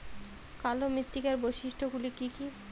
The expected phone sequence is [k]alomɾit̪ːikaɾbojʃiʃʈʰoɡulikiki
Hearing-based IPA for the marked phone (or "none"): k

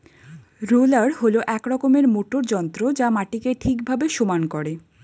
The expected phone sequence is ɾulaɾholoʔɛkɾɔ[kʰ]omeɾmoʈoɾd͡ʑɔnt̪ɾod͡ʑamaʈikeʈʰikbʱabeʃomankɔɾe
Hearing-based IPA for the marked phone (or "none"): k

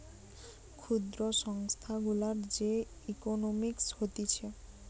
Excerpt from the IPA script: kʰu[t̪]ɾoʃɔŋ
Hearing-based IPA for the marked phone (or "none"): d̪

